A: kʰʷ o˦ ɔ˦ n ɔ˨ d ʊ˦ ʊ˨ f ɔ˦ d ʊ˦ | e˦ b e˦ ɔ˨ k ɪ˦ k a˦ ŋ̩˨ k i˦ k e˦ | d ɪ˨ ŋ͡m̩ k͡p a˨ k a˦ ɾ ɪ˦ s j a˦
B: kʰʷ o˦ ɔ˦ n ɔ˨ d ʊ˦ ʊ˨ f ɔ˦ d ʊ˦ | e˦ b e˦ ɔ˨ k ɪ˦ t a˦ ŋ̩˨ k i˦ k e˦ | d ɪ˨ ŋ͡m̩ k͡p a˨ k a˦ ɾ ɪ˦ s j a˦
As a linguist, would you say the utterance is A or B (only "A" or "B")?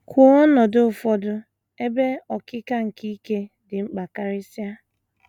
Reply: A